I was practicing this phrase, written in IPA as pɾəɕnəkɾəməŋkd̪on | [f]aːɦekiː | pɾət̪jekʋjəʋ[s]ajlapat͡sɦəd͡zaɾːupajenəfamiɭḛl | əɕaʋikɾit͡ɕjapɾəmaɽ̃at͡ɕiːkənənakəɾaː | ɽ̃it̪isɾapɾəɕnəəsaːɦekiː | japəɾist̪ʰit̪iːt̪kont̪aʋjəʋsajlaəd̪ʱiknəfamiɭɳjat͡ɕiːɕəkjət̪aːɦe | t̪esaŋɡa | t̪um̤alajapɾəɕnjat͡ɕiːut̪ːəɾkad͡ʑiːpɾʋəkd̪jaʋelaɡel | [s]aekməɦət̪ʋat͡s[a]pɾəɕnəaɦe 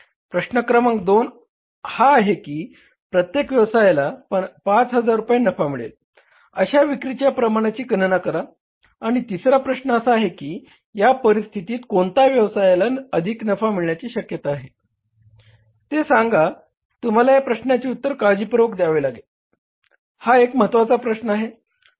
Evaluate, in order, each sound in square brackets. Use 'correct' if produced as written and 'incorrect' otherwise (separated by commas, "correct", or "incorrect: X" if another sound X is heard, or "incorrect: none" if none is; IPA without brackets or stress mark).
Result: incorrect: h, correct, incorrect: h, correct